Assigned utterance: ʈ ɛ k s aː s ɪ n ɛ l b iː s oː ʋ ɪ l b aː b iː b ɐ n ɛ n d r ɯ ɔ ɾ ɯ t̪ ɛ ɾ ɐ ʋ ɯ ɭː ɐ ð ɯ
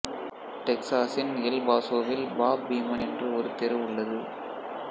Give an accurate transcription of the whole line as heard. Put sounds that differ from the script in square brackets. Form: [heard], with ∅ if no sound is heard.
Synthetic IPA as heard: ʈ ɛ k s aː s ɪ n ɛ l b [aː] s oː ʋ ɪ l b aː b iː [m] ɐ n ɛ n d r ɯ ɔ ɾ ɯ t̪ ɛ ɾ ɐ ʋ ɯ ɭː ɐ ð ɯ